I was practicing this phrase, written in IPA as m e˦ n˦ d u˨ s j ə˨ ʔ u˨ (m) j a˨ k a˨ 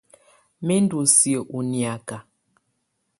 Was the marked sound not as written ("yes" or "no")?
yes